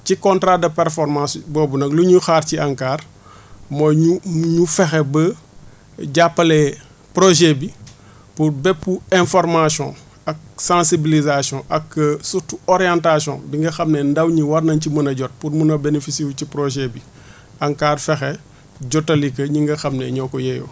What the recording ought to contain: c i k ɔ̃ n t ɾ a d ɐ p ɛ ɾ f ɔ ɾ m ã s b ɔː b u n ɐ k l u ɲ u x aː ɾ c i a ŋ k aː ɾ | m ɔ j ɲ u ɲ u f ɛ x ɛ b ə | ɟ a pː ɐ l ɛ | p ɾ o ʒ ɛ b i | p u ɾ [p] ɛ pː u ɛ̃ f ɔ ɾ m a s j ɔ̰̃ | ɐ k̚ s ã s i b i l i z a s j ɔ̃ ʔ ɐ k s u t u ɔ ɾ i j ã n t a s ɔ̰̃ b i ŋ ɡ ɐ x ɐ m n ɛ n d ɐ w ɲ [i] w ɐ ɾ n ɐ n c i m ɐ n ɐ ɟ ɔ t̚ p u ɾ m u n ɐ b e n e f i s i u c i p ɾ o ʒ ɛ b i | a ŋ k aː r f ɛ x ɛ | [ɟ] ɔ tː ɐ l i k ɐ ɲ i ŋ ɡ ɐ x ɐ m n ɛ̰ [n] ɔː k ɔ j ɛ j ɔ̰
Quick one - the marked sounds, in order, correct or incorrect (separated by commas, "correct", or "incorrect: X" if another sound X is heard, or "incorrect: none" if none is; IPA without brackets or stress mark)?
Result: incorrect: b, correct, correct, incorrect: ɲ